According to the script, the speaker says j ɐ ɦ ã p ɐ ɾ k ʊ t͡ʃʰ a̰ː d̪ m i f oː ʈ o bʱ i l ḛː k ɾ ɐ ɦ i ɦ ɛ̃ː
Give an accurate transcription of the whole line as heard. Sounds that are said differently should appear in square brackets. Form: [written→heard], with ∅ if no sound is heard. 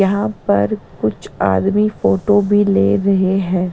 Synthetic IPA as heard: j ɐ ɦ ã p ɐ ɾ k ʊ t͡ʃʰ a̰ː d̪ m i f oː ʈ o bʱ i l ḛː [k→∅] ɾ ɐ ɦ [i→e] ɦ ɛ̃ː

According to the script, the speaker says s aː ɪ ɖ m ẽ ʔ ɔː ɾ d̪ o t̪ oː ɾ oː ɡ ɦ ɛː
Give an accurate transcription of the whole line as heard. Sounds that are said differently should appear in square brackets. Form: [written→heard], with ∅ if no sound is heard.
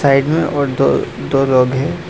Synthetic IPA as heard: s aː ɪ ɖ m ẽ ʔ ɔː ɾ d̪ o [t̪→d̪] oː [ɾ→l] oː ɡ ɦ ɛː

